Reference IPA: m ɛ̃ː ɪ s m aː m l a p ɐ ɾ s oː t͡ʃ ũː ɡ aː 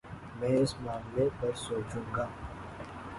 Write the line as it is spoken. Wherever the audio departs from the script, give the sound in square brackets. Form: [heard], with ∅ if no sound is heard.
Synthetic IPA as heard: m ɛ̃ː ɪ s m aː m l [e] p ɐ ɾ s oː t͡ʃ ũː ɡ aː

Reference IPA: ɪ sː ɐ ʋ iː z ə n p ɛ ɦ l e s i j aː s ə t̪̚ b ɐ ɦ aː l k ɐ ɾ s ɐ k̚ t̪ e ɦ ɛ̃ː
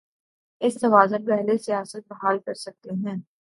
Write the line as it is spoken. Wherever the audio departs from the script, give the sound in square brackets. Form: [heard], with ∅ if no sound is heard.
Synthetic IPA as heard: ɪ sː ɐ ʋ [aː] z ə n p ɛ ɦ l e s i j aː s ə t̪̚ b ɐ ɦ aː l k ɐ ɾ s ɐ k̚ t̪ e ɦ ɛ̃ː

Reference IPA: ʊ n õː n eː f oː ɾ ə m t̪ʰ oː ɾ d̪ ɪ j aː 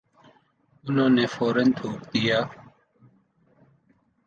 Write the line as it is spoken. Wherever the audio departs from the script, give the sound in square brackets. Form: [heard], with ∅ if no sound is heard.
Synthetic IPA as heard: ʊ n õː n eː f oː ɾ ə [n] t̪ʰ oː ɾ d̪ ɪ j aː

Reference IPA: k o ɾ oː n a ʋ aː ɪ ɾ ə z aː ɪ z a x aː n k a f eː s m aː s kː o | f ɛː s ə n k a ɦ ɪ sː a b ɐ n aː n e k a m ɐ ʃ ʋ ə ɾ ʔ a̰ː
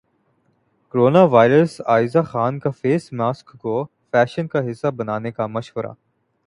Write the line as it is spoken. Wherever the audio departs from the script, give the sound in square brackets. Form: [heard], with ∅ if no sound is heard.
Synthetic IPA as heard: k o ɾ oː n a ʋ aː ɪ ɾ ə [s] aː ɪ z a x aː n k a f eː s m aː s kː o | f ɛː [ʃ] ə n k a ɦ ɪ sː a b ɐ n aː n e k a m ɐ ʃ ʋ ə ɾ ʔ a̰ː

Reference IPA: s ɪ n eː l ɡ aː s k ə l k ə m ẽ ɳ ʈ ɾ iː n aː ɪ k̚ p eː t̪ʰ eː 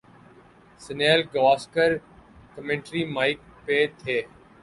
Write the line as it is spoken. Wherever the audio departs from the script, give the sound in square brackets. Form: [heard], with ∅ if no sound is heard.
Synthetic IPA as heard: s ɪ n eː l ɡ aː s k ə [ɾ] k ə m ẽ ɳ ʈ ɾ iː [m] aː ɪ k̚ p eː t̪ʰ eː

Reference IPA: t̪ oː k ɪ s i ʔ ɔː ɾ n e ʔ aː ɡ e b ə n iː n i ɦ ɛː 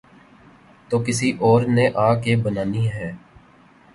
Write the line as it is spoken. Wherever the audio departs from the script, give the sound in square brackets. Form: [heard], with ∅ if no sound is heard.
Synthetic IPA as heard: t̪ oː k ɪ s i ʔ ɔː ɾ n e ʔ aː [k] e b ə n [aː] n i ɦ ɛː

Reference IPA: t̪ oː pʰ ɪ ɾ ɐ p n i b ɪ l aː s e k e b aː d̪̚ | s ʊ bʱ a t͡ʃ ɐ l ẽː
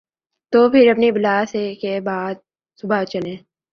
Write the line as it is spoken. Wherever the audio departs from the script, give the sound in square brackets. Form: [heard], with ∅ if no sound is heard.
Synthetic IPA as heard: t̪ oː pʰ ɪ ɾ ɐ p n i b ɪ l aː s e k e b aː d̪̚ | s ʊ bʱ a t͡ʃ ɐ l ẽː

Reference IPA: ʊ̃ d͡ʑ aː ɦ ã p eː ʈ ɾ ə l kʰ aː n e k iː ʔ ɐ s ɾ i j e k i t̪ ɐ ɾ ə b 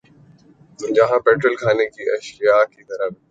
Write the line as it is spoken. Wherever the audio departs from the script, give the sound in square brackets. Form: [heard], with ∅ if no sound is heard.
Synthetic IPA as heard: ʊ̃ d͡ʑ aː ɦ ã p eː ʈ ɾ ə l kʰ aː n e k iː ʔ ɐ [ʃ] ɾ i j [a] k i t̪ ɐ ɾ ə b

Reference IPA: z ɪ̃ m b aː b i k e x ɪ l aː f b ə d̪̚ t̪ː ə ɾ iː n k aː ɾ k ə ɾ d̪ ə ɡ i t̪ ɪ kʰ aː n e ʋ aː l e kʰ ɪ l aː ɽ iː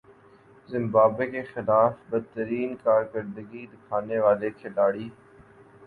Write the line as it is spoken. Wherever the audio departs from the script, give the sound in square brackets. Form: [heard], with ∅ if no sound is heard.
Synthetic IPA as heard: z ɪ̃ m b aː b [e] k e x ɪ l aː f b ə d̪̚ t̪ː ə ɾ iː n k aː ɾ k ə ɾ d̪ ə ɡ i [d̪] ɪ kʰ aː n e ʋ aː l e kʰ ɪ l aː ɽ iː

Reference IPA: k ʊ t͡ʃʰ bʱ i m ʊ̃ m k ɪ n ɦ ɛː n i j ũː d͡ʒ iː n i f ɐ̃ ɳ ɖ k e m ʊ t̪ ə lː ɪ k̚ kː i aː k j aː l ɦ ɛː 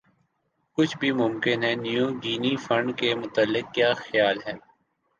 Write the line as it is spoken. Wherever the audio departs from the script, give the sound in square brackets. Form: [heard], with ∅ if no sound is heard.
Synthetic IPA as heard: k ʊ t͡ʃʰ bʱ i m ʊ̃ m k ɪ n ɦ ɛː n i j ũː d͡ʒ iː n i f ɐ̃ ɳ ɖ k e m ʊ t̪ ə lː ɪ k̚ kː [j] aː [x] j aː l ɦ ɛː

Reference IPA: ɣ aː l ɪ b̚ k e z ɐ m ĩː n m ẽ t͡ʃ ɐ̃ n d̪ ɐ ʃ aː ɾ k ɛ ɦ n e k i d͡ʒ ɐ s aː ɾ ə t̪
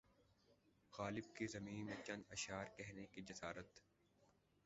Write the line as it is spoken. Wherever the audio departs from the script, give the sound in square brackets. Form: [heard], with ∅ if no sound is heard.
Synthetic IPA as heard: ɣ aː l ɪ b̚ k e z ɐ m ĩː n m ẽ t͡ʃ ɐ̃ n d̪ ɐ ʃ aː ɾ k ɛ ɦ n e k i d͡ʒ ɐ s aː ɾ ə t̪

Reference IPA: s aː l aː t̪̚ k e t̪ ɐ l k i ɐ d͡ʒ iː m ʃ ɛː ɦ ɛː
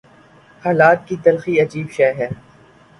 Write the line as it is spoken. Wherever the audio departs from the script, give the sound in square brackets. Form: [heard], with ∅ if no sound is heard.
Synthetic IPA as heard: [h] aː l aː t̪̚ k [i] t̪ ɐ l [x] i ɐ d͡ʒ iː [b] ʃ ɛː ɦ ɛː

